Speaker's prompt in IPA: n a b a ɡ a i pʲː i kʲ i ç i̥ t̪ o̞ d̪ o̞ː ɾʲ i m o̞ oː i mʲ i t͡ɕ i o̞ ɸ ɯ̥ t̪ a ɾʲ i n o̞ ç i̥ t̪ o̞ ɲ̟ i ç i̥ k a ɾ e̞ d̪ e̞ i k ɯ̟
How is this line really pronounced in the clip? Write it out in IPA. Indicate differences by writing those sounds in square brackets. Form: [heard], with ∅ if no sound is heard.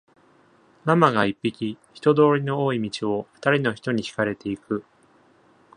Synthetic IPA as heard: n a [m] a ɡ a i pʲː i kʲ i ç i̥ t̪ o̞ d̪ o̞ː ɾʲ i [n] o̞ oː i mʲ i t͡ɕ i o̞ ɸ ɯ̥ t̪ a ɾʲ i n o̞ ç i̥ t̪ o̞ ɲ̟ i ç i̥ k a ɾ e̞ [t̪] e̞ i k ɯ̟